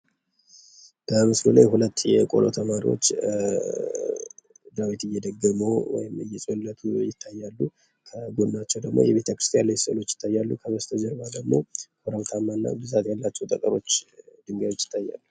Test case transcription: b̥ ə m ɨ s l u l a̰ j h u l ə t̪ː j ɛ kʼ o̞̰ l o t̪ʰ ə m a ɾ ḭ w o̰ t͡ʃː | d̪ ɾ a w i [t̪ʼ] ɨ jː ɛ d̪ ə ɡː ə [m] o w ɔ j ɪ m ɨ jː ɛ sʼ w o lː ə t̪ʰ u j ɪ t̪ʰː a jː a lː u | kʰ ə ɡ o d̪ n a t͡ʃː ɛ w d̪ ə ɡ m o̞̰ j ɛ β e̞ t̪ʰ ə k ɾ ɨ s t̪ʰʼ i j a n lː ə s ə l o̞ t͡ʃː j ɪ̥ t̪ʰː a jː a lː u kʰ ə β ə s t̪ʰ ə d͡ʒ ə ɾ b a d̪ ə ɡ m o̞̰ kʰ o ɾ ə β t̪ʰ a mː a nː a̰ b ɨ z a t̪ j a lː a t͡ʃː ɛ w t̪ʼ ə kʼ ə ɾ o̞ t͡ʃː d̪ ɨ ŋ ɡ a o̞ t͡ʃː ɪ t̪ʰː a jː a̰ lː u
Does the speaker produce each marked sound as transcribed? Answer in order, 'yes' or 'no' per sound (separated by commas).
no, yes